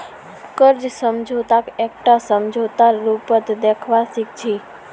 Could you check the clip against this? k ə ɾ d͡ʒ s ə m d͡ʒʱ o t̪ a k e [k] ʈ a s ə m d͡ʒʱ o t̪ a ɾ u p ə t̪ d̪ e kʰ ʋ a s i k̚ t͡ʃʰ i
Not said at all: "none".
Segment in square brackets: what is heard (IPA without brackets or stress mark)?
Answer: k